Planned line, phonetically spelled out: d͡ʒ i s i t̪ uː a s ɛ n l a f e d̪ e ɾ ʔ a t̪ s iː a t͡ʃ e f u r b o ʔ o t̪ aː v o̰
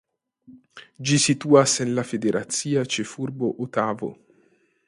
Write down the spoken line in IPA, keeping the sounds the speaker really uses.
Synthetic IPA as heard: d͡ʒ i s i t̪ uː a s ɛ n l a f e d̪ e ɾ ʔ a t̪ s iː a t͡ʃ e f u r b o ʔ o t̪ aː v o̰